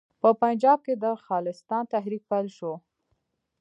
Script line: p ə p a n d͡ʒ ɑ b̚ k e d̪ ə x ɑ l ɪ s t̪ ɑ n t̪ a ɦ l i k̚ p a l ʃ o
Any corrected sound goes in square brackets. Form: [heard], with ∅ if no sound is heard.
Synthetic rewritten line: p ə p a n d͡ʒ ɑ b̚ k e d̪ ə x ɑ l ɪ s t̪ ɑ n t̪ a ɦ [ɾ] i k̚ p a l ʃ o

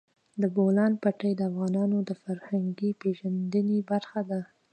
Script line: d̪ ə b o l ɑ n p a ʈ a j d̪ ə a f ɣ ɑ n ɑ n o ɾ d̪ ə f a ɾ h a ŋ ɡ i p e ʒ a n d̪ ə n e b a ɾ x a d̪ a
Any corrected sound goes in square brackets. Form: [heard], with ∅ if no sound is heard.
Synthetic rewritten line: d̪ ə b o l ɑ n p a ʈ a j d̪ ə a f ɣ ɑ n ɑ n o [∅] d̪ ə f a ɾ h a ŋ ɡ i p e ʒ a n d̪ ə n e b a ɾ x a d̪ a

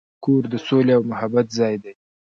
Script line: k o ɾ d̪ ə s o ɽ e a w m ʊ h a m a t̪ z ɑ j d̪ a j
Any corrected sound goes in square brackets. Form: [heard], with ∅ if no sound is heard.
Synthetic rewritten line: k o ɾ d̪ ə s o [l] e a w m ʊ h a [b] a t̪ z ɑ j d̪ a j

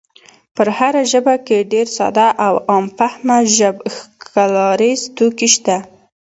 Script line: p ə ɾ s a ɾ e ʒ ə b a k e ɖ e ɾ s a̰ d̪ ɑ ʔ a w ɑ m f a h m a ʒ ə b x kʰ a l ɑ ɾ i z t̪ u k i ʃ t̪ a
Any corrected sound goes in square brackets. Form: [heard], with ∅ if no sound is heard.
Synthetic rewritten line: p ə ɾ [h] a ɾ [a] ʒ ə b a k e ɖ e ɾ s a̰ d̪ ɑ ʔ a w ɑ m f a h m a ʒ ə b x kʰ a l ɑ ɾ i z t̪ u k i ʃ t̪ a

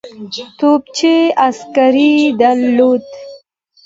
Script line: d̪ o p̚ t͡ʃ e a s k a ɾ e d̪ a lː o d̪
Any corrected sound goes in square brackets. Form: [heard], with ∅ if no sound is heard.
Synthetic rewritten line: [t̪] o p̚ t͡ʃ e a s k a ɾ [i] d̪ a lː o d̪

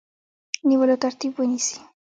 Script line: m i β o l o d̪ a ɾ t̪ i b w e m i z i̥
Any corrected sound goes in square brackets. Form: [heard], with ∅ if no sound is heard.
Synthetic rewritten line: [n] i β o l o [t̪] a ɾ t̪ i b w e [n] i [s] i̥

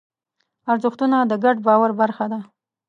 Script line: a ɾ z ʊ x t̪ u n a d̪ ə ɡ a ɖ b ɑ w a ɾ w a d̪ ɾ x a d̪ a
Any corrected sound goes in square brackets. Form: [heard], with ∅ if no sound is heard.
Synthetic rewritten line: a ɾ z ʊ x t̪ u n a d̪ ə ɡ a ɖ b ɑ w a ɾ [b] a [∅] ɾ x a d̪ a

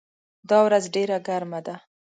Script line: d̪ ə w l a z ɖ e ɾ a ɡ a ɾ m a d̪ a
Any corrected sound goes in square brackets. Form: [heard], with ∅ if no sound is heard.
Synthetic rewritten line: d̪ [ɑ] w [ɾ] a z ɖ e ɾ a ɡ a ɾ m a d̪ a

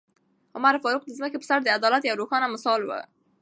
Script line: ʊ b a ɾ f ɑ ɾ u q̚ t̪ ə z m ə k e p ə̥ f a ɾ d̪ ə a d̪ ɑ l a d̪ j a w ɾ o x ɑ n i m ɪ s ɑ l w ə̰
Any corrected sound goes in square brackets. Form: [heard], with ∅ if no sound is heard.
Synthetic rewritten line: ʊ [m] a ɾ f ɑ ɾ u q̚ [d̪] ə z m ə k e p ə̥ [s] a ɾ d̪ ə a d̪ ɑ l a [t̪] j a w ɾ o x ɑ n [a] m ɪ s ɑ l w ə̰

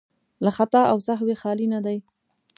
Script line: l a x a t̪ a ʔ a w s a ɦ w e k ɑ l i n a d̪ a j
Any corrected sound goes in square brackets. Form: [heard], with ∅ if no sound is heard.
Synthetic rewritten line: l a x a t̪ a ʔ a w s a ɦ w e [x] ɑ l i n a d̪ a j

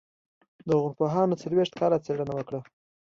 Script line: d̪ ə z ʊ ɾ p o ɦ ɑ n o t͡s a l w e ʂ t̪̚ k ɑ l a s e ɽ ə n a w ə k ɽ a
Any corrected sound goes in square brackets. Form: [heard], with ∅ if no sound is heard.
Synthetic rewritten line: d̪ ə [ɣ] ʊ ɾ p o ɦ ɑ n o t͡s a l w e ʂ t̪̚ k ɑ l a [t͡s] e ɽ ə n a w ə k ɽ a

